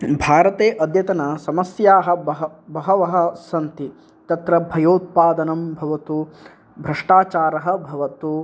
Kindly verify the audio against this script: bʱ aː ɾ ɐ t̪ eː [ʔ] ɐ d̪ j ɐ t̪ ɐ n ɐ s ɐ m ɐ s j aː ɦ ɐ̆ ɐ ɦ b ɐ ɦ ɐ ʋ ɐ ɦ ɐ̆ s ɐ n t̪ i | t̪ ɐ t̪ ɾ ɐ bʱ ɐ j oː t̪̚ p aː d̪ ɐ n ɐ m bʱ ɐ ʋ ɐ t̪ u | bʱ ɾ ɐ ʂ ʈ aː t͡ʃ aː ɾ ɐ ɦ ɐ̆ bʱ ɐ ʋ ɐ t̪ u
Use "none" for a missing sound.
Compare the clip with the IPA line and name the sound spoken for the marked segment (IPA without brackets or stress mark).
ʔ